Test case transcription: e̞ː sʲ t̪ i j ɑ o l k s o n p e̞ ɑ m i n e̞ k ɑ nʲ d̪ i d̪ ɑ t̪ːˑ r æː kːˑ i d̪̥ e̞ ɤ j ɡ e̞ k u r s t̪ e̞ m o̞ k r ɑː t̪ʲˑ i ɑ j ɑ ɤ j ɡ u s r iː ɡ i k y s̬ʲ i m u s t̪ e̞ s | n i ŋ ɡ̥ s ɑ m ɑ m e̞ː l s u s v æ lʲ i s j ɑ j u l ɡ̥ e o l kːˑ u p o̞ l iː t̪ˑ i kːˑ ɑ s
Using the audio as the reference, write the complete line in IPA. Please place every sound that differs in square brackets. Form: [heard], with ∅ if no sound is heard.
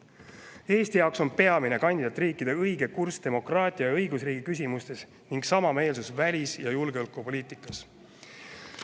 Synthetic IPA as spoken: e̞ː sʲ t̪ i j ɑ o [∅] k s o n p e̞ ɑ m i n e̞ k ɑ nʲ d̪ i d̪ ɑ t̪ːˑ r [iː] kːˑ i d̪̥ e̞ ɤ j ɡ e̞ k u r s t̪ e̞ m o̞ k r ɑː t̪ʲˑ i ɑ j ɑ ɤ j ɡ u s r iː ɡ i k y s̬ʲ i m u s t̪ e̞ s | n i ŋ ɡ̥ s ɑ m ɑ m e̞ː l s u s v æ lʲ i s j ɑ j u l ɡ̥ e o l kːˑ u p o̞ l iː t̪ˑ i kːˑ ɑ s